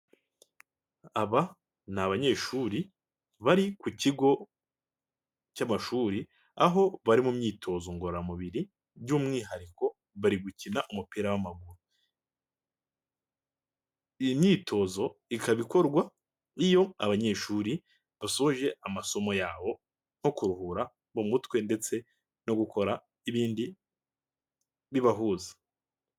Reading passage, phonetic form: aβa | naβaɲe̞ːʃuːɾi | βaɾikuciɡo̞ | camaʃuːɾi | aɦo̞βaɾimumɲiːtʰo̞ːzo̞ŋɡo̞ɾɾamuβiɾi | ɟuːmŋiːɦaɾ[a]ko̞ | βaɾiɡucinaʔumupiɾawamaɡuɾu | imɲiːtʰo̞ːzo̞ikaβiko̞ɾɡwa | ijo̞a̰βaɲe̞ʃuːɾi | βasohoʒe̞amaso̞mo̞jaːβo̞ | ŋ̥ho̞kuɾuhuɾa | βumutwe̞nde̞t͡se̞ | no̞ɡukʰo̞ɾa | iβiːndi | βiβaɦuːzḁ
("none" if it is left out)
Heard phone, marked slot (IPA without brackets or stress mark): i